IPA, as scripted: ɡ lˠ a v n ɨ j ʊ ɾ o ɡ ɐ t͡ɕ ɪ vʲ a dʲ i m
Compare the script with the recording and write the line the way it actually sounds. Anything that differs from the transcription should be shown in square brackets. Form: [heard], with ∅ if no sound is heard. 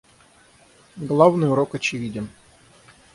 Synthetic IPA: ɡ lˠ a v n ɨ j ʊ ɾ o [k] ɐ t͡ɕ ɪ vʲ [i] dʲ [ɪ] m